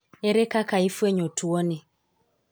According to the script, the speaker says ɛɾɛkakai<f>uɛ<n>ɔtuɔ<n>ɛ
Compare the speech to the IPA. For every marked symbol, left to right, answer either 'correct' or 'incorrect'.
correct, incorrect, correct

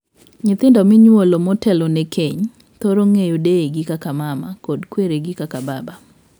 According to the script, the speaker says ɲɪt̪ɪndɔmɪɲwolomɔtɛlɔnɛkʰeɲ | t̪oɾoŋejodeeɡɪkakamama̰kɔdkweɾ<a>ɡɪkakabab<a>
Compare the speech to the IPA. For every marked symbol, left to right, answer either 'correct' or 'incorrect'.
incorrect, correct

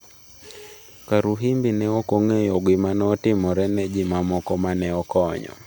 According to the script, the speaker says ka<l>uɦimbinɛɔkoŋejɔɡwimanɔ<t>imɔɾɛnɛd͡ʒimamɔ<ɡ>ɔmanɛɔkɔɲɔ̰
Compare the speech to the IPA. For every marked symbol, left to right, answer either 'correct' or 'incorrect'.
incorrect, correct, incorrect

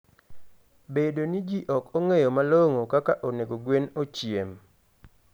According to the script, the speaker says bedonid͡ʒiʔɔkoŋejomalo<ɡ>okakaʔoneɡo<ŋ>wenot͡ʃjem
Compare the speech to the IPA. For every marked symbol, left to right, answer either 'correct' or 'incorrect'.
incorrect, incorrect

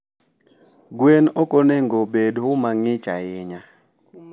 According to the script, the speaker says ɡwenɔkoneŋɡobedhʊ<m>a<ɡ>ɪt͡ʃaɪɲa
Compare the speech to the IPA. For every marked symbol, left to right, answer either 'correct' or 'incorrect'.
correct, incorrect

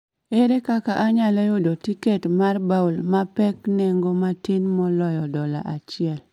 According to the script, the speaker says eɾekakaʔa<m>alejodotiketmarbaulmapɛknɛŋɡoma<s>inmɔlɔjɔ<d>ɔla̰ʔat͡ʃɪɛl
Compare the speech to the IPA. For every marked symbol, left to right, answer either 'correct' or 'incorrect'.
incorrect, incorrect, correct

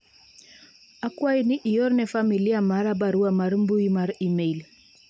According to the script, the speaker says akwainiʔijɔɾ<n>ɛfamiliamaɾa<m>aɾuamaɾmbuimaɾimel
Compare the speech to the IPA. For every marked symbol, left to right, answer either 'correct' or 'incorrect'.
correct, incorrect

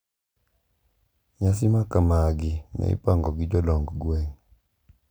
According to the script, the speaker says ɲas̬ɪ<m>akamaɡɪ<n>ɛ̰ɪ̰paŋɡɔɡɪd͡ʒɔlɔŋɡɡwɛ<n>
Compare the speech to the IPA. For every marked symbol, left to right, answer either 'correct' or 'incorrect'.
correct, correct, incorrect

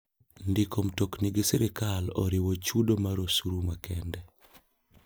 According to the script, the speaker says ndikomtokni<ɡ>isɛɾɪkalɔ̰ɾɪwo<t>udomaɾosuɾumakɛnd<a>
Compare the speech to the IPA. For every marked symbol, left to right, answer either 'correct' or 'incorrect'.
correct, incorrect, incorrect

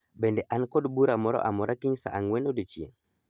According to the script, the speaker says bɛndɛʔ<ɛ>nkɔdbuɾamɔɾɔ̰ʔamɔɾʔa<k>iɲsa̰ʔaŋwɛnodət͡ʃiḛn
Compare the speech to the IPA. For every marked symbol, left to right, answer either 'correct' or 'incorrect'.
incorrect, correct

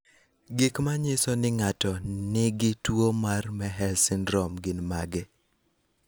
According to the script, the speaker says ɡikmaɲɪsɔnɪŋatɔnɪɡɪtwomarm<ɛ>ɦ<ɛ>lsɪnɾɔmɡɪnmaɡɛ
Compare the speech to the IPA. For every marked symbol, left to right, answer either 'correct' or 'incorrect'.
correct, correct

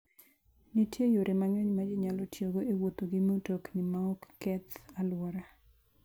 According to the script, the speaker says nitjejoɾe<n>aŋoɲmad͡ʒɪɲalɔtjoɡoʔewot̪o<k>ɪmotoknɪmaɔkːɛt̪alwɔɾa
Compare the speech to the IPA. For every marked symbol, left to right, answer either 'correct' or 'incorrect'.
incorrect, incorrect

